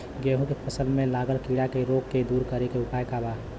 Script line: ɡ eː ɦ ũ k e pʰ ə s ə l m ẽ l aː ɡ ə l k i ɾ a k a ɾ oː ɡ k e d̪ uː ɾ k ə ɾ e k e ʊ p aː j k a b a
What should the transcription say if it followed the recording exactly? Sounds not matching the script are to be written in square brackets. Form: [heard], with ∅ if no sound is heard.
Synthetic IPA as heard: ɡ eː ɦ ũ k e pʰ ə s ə l m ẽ l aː ɡ ə l k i [ɽ] a k [e] ɾ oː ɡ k e d̪ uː ɾ k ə ɾ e k e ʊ p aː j k a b a